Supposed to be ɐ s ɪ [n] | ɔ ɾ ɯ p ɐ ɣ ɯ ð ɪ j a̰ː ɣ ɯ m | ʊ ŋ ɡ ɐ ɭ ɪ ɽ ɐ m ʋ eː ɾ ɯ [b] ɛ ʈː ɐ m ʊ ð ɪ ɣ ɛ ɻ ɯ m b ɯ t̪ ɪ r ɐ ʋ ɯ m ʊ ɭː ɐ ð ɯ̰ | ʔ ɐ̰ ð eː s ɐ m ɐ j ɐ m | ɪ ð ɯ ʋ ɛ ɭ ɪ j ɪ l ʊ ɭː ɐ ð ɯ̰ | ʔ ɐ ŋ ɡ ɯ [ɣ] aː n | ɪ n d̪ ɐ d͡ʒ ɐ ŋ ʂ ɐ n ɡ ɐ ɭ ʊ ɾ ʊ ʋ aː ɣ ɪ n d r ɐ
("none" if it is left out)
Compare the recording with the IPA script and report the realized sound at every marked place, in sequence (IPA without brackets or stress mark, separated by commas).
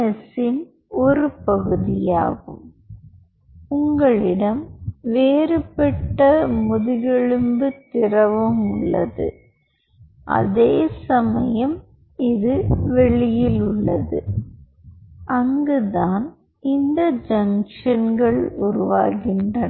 n, p, ð